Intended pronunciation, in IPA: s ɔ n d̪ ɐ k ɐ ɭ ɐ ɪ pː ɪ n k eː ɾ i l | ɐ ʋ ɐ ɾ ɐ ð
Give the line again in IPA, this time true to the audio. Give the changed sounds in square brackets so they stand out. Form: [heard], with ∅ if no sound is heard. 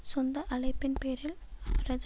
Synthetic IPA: s ɔ n d̪ ɐ [ʔ] ɐ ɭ ɐ ɪ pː ɪ n [p] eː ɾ [ɪ] l | ɐ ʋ ɐ ɾ ɐ ð